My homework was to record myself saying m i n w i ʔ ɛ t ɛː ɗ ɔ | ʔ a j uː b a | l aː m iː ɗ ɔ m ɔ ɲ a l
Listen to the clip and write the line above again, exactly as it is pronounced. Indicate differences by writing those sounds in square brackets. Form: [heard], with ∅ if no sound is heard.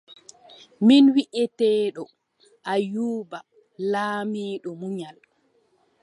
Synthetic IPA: m i n w i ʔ ɛ t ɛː ɗ ɔ | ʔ a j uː b a | l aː m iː ɗ ɔ m [u] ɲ a l